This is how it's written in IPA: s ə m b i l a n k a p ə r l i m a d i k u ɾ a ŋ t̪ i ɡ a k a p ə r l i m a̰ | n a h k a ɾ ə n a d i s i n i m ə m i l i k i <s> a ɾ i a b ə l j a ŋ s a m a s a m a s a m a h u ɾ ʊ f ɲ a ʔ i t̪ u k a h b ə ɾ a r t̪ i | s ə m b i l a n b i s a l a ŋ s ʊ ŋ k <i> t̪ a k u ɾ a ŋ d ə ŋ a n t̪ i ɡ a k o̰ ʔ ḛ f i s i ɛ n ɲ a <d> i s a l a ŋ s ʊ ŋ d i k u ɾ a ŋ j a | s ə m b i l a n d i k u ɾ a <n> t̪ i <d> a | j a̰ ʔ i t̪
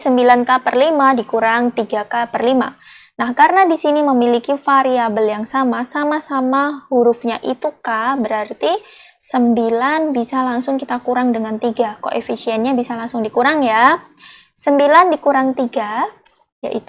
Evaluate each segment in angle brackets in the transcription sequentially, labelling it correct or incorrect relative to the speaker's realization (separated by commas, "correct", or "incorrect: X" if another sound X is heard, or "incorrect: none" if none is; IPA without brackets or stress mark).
incorrect: f, correct, incorrect: b, incorrect: ŋ, incorrect: ɡ